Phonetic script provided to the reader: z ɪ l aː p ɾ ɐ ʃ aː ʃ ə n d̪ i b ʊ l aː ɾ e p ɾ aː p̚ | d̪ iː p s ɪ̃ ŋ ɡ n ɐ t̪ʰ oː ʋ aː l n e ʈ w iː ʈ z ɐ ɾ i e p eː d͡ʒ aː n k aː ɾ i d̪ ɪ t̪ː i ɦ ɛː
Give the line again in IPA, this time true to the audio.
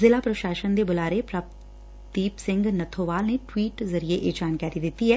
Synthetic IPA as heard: z ɪ l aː p ɾ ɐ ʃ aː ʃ ə n d̪ e b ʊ l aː ɾ e p ɾ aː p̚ | t̪ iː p s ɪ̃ ŋ ɡ n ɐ t̪ʰ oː ʋ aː l n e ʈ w iː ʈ z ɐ ɾ i e ʔ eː d͡ʒ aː n k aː ɾ i d̪ ɪ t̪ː i ɦ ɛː